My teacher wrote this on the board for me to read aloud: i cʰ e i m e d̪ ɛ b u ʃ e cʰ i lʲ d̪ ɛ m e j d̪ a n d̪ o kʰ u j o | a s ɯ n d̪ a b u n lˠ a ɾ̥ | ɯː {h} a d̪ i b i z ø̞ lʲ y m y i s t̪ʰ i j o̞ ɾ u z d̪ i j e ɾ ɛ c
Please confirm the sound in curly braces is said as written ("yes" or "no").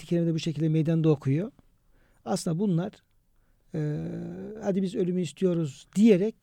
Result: yes